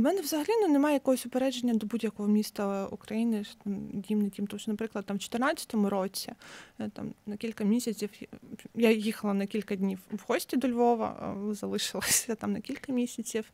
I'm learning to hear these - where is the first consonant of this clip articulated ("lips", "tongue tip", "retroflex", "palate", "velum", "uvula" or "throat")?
lips